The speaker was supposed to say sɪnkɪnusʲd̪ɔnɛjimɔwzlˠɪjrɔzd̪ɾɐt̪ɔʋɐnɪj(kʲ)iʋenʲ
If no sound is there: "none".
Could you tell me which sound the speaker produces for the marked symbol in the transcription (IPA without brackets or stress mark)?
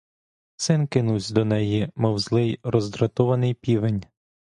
pʲ